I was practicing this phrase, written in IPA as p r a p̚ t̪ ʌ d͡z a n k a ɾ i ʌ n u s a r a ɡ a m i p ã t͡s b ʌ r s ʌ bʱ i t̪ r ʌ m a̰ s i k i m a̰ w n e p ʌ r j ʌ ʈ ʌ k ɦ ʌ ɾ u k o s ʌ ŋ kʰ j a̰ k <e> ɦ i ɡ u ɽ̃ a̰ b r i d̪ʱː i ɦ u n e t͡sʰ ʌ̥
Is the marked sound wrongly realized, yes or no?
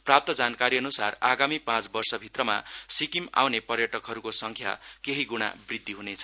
no